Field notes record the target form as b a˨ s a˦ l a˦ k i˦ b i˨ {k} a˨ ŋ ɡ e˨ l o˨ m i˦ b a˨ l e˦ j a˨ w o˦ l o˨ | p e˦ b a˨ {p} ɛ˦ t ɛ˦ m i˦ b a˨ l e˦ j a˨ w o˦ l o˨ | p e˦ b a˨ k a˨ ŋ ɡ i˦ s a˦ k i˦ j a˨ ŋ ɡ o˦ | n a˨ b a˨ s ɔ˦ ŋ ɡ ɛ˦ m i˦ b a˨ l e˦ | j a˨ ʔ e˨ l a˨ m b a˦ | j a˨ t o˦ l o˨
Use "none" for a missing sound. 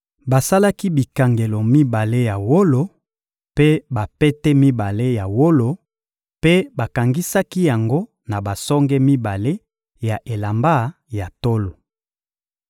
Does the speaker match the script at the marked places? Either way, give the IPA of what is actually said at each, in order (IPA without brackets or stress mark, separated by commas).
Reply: k, p